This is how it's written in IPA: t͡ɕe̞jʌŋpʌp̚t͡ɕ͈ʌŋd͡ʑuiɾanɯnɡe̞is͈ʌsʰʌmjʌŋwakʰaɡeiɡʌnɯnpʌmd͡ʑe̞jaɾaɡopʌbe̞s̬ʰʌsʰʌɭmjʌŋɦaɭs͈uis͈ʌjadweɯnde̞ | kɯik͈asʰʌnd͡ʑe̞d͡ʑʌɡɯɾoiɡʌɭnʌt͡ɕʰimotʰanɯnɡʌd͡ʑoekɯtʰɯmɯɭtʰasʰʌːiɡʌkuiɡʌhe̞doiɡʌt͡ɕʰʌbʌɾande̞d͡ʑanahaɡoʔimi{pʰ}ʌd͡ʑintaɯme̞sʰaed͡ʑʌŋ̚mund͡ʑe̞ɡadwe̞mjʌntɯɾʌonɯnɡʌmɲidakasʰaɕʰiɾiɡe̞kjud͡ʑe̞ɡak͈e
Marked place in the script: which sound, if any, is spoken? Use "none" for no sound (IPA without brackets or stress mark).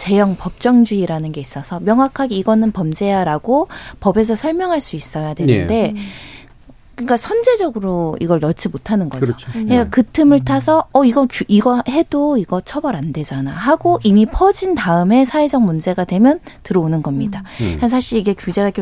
pʰ